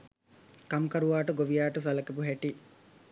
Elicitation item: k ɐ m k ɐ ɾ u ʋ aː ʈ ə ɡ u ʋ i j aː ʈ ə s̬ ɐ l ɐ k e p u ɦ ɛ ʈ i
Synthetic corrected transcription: k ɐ m k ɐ ɾ u ʋ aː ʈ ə ɡ o ʋ i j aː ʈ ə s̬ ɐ l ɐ k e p u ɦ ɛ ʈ i